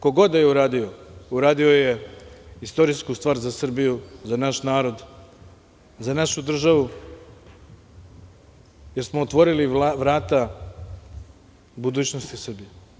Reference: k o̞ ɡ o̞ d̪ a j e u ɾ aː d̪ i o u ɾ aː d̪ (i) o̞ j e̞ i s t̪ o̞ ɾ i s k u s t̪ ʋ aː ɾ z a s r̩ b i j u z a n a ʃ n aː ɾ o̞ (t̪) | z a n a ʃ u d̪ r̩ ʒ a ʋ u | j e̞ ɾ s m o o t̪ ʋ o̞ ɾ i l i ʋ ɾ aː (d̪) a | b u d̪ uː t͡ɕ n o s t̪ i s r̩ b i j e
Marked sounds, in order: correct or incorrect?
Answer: correct, incorrect: d̪, incorrect: t̪

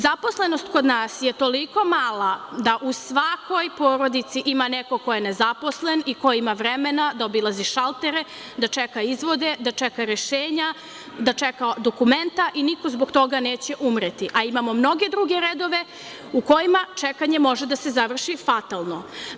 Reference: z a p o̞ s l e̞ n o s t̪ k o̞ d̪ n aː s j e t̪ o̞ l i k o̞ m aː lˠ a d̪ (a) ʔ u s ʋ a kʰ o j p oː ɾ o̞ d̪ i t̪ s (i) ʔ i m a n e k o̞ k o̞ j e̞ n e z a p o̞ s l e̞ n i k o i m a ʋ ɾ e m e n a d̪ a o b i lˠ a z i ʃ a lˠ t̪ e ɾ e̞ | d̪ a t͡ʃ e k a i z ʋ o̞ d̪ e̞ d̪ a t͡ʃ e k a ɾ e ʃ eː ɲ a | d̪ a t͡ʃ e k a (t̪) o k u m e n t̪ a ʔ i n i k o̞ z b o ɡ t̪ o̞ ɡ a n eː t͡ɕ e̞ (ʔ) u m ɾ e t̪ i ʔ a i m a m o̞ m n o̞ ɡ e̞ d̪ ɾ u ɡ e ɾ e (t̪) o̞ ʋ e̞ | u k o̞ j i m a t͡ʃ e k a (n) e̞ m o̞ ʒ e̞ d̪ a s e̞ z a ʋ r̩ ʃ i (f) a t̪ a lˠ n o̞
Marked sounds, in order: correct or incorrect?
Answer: correct, correct, incorrect: d̪, correct, incorrect: d̪, incorrect: ɲ, correct

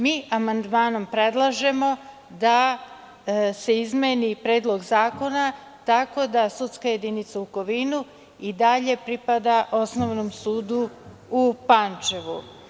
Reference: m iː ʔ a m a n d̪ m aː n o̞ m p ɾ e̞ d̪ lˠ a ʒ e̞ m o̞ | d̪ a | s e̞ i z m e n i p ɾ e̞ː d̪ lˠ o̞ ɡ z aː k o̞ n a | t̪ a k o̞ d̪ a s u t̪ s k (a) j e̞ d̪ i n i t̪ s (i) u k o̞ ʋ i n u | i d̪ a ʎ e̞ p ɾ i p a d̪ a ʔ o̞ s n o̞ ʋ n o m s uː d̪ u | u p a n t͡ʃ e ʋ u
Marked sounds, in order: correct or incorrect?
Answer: correct, incorrect: a

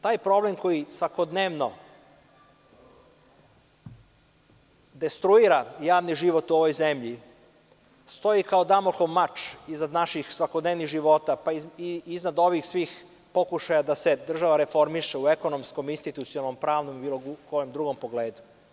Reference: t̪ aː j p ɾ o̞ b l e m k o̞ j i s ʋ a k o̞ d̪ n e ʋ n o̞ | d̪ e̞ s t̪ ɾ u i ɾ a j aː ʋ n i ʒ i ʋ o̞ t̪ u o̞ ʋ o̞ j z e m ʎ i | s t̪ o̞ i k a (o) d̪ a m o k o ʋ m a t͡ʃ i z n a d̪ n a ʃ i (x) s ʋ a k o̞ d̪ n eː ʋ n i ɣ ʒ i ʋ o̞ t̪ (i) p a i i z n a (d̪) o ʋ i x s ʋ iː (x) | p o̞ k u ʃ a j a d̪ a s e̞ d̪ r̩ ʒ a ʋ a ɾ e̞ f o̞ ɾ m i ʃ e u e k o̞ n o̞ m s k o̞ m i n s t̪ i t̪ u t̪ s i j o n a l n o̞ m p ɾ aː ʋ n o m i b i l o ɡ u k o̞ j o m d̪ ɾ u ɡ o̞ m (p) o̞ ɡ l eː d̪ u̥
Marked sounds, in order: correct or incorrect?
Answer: correct, correct, incorrect: a, correct, correct, correct

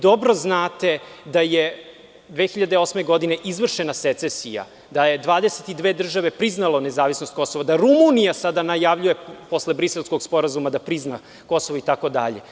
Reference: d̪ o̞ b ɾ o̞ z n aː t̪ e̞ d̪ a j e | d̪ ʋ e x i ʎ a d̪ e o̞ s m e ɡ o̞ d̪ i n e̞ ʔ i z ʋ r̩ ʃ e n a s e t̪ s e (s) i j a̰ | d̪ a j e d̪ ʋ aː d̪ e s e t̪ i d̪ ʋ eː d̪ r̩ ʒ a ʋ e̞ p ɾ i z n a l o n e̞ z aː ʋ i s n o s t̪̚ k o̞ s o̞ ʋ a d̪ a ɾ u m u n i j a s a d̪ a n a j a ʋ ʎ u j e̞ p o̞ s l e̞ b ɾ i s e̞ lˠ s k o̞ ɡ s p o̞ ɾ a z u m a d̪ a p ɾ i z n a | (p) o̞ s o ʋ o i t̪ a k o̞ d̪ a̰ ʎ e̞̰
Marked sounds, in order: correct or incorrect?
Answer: correct, incorrect: k

